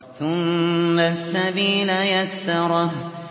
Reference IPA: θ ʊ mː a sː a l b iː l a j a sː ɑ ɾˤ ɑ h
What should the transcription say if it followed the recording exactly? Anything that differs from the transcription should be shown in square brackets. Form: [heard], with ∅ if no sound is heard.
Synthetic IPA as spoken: θ ʊ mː a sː a [∅] b iː l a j a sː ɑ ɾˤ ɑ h